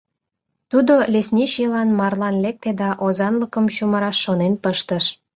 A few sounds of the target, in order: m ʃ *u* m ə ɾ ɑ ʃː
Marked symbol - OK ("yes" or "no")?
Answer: yes